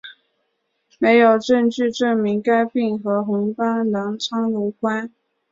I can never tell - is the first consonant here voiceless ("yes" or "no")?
no